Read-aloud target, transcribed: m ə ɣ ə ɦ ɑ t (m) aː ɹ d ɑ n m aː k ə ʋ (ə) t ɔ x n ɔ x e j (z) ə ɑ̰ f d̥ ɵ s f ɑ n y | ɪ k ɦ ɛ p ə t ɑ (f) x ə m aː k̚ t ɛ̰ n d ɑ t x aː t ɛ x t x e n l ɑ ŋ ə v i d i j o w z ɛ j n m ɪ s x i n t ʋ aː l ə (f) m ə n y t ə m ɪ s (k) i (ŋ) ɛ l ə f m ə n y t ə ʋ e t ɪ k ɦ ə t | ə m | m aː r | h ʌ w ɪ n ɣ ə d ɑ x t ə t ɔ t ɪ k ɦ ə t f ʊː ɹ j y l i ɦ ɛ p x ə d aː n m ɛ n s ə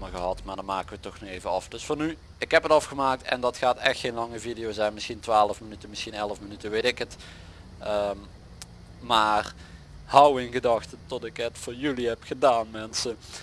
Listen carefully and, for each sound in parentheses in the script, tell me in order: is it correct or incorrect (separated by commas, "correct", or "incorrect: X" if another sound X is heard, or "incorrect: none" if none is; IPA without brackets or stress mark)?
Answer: correct, correct, incorrect: v, correct, correct, incorrect: x, incorrect: n